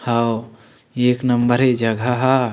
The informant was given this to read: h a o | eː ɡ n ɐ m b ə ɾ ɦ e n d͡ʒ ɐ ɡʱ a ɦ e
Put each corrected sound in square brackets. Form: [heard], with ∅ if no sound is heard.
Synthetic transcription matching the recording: h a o | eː [k] n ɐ m b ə ɾ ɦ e [∅] d͡ʒ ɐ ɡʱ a ɦ [a]